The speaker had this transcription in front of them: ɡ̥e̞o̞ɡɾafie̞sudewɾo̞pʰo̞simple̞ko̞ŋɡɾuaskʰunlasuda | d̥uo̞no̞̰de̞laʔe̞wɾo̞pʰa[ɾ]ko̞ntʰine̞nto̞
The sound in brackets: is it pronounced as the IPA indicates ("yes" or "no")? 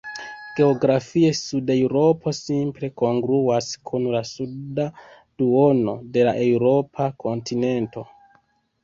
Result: no